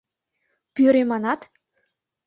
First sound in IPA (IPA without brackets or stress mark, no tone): p